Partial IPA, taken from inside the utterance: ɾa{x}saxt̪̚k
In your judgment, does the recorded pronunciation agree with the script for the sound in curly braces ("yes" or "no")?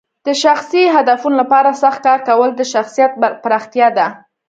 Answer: no